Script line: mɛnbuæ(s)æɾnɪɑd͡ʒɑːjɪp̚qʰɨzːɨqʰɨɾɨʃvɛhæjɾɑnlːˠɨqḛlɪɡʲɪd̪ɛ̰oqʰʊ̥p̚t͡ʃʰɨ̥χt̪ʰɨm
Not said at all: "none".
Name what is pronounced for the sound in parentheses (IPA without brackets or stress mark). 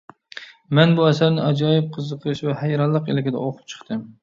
s